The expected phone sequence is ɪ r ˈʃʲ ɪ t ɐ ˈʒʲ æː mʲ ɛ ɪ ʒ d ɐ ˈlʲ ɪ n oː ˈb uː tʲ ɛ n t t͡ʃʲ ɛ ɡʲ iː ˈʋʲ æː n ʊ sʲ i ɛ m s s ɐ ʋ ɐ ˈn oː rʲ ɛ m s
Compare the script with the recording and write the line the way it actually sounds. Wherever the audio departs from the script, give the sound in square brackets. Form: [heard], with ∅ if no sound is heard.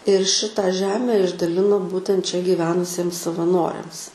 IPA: ɪ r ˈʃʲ ɪ t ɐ ˈʒʲ æː mʲ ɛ ɪ ʒ d ɐ ˈlʲ ɪ n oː ˈb uː tʲ ɛ n t t͡ʃʲ ɛ ɡʲ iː ˈʋʲ æː n ʊ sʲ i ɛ m s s ɐ ʋ ɐ ˈn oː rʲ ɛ m s